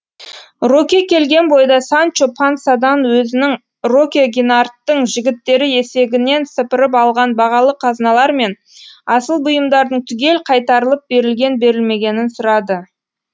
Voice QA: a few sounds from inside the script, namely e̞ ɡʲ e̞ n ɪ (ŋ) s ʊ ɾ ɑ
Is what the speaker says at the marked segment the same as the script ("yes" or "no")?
no